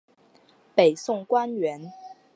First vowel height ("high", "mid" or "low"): mid